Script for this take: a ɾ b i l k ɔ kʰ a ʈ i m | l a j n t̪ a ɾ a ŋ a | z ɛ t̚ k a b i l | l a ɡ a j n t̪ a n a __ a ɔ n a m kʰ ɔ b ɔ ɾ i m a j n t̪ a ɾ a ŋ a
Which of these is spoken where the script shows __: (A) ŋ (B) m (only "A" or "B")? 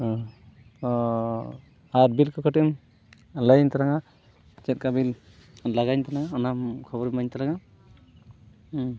A